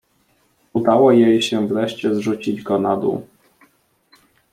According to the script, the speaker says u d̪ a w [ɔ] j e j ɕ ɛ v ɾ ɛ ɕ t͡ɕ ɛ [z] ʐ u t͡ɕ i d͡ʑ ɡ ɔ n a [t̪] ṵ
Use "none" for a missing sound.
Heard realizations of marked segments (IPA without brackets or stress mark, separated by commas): ɔ, z, d̪